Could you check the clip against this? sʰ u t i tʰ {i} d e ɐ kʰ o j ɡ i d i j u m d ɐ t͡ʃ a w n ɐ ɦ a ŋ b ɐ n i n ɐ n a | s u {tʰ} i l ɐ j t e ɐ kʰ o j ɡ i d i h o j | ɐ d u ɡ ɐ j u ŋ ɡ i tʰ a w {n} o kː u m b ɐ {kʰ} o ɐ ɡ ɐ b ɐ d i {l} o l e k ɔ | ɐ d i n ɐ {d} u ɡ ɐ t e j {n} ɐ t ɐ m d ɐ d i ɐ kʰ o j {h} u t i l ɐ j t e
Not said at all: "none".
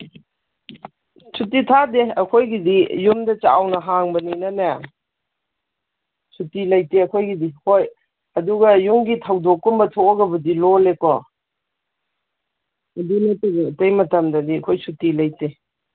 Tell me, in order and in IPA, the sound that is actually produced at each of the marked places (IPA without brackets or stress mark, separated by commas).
a, t, d, tʰ, l, t, m, s